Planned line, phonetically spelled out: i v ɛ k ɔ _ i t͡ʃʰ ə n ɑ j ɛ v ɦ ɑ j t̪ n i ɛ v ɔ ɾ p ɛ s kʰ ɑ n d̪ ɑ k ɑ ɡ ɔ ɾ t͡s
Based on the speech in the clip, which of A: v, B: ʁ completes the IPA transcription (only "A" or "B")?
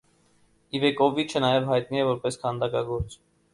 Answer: A